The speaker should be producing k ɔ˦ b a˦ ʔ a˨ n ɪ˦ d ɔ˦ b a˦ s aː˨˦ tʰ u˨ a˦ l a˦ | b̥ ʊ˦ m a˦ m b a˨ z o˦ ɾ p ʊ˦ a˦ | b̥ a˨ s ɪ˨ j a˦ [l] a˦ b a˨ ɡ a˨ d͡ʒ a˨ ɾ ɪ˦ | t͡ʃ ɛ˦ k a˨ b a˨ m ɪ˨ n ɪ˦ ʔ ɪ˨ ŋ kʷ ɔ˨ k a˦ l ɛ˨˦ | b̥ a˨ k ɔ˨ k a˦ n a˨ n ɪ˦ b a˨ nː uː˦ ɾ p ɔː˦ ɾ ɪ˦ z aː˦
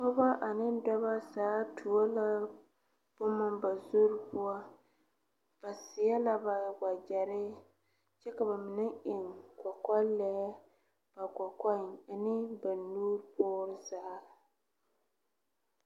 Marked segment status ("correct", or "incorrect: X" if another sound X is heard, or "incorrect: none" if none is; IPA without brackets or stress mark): correct